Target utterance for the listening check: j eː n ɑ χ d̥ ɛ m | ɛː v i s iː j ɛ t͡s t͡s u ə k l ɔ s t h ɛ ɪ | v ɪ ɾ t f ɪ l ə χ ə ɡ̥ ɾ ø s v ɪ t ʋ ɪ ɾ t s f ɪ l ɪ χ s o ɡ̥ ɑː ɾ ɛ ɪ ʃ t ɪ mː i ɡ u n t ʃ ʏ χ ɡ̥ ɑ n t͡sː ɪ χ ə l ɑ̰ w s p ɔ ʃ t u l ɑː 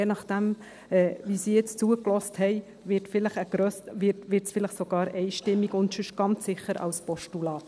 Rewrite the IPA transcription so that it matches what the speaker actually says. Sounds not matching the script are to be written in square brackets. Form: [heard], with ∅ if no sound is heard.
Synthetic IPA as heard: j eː n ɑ χ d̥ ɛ m | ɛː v i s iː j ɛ t͡s t͡s u ə k l ɔ s t h ɛ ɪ | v ɪ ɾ t f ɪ l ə χ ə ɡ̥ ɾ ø s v ɪ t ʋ ɪ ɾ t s f ɪ l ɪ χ s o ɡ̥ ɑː ɾ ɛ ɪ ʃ t ɪ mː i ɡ [ʊ] n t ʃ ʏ [ʃ] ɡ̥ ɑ n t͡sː ɪ χ ə [ɾ] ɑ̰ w s p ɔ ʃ t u l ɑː

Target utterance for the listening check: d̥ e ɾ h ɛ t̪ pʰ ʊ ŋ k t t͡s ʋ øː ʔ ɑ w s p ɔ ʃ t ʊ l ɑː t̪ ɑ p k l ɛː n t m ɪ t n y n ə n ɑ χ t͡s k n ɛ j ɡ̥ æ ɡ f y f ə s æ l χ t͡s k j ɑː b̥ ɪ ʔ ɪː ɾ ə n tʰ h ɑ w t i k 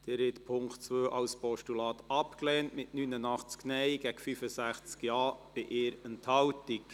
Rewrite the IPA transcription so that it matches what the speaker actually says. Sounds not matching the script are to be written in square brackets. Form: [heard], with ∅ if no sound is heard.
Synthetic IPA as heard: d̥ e ɾ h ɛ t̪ pʰ ʊ ŋ k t t͡s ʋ øː ʔ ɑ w s p ɔ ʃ t [u] l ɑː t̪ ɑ p k l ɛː n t m ɪ t n y n ə n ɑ χ t͡s k n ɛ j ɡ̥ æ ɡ f y f ə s æ [∅] χ t͡s k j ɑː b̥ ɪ ʔ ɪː ɾ ə n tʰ h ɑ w t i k

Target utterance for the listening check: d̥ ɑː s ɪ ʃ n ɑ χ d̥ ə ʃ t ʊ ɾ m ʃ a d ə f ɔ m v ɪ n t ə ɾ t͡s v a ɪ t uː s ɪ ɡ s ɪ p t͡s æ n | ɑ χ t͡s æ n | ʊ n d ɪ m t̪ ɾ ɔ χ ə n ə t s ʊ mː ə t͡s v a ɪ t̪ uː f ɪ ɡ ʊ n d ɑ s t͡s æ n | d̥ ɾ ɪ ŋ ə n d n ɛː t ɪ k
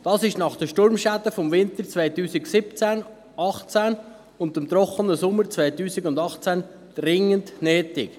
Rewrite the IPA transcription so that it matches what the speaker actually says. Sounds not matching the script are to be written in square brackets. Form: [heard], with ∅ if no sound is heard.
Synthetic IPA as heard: d̥ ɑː s ɪ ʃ n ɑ χ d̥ ə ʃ t ʊ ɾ m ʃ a d ə f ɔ m v ɪ n t ə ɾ t͡s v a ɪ t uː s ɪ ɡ s ɪ p t͡s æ n | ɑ χ t͡s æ n | ʊ n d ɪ m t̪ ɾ ɔ χ ə n ə [∅] s ʊ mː ə t͡s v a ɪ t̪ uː [s] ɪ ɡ ʊ n d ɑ [χ] t͡s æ n | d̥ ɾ ɪ ŋ ə n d n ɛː t ɪ k

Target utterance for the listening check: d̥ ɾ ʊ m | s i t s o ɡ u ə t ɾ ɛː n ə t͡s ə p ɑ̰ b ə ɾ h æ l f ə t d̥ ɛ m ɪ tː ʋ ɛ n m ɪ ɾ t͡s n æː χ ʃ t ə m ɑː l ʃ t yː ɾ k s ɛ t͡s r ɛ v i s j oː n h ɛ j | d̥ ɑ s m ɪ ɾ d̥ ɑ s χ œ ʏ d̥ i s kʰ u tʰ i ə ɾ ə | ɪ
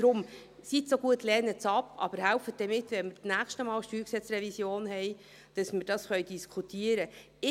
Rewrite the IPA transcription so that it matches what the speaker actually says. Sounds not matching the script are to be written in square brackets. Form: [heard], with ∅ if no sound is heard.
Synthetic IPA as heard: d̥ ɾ ʊ m | s i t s o ɡ u ə t [l] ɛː n ə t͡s [ɑ] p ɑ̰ b ə ɾ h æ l f ə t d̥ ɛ m ɪ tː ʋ ɛ n m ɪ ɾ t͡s n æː χ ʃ t ə m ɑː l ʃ t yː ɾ k s ɛ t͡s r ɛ v i s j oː n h ɛ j | d̥ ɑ s m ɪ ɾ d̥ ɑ s χ œ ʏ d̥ i s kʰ u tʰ i ə ɾ ə | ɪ

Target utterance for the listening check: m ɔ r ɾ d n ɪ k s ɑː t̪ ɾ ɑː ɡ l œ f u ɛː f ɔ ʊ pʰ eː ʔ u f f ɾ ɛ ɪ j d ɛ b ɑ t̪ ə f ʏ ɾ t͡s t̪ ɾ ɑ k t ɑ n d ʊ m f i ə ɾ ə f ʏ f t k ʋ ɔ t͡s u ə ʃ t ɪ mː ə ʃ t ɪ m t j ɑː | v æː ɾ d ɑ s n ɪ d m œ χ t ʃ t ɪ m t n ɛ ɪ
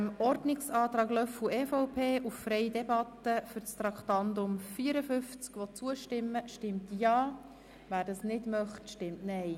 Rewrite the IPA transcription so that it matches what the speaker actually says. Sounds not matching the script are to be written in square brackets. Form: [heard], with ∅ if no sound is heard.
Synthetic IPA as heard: m ɔ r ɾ d n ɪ k s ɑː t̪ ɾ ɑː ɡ l œ f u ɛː f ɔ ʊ pʰ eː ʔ u f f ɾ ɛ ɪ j d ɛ b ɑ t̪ ə f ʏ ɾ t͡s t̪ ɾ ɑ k t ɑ n d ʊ m f i ə ɾ ə f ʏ f [t͡s] k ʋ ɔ t͡s u ə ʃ t ɪ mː ə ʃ t ɪ m t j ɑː | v æː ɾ d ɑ s n ɪ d m œ χ t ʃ t ɪ m t n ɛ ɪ

